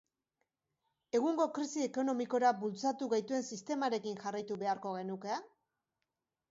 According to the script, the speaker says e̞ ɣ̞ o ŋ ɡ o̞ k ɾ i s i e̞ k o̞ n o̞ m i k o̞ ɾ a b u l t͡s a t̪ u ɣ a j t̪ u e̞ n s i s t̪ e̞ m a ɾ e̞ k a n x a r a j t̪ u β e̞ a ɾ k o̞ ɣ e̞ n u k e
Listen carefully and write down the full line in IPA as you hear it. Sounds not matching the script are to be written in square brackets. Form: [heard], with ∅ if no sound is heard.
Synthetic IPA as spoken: e̞ ɣ̞ [u] ŋ ɡ o̞ k ɾ i s i e̞ k o̞ n o̞ m i k o̞ ɾ a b u l t͡s a t̪ u ɣ a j t̪ u e̞ n s i s t̪ e̞ m a ɾ e̞ k [i] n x a r a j t̪ u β e̞ a ɾ k o̞ ɣ e̞ n u k e